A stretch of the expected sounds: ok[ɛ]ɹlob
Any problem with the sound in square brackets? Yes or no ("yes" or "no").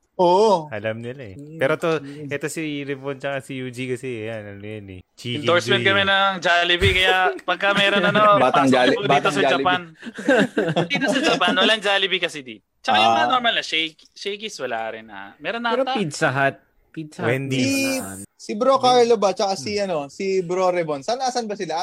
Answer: yes